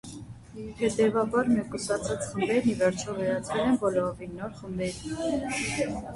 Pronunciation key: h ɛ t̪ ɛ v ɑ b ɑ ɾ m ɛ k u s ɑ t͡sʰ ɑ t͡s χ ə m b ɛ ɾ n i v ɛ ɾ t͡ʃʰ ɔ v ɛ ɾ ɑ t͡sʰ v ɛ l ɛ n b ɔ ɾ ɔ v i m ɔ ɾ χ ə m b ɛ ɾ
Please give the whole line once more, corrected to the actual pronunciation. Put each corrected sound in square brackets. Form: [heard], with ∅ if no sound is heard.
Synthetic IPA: h ɛ t̪ ɛ v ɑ b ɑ ɾ m ɛ k u s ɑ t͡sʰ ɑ t͡s χ ə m b ɛ ɾ n i v ɛ ɾ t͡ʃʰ ɔ v ɛ ɾ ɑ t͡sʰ v ɛ l ɛ n b ɔ [l] ɔ v i [n] ɔ ɾ χ ə m b ɛ ɾ